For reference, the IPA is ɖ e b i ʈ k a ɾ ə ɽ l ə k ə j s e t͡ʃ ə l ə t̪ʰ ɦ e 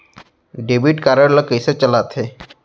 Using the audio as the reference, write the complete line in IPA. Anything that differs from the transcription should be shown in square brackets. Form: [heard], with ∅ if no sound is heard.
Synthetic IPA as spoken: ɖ e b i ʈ k a ɾ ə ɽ l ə k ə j s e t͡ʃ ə l [a] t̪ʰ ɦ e